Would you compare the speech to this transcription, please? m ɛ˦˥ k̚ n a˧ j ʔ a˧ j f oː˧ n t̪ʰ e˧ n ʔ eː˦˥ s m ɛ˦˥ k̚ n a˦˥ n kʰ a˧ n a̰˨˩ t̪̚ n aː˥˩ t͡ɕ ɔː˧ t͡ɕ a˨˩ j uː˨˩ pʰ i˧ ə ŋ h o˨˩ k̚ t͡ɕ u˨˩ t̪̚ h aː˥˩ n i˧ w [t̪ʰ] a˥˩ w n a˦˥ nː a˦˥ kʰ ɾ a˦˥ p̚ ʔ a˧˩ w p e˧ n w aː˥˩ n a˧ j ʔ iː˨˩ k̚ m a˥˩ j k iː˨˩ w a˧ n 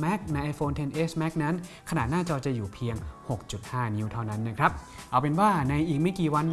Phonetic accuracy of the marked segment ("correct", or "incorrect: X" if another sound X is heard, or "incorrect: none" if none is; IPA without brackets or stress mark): correct